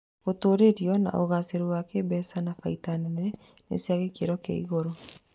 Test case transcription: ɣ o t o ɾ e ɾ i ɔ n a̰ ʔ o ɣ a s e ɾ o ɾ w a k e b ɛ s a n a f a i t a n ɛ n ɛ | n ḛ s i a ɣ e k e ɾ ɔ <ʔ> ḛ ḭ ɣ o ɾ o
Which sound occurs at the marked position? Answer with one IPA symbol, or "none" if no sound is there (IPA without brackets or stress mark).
k